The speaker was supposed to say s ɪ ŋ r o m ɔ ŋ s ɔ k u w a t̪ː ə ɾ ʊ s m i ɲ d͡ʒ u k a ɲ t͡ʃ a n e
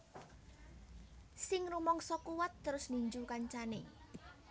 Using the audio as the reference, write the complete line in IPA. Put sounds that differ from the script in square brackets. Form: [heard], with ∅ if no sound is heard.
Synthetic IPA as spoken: s ɪ ŋ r [u] m ɔ ŋ s ɔ k u w a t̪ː ə ɾ ʊ s [n] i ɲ d͡ʒ u k a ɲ t͡ʃ a n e